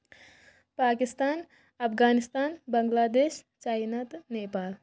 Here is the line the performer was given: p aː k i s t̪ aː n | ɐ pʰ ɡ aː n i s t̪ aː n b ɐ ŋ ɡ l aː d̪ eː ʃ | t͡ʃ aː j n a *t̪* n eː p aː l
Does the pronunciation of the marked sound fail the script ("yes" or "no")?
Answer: no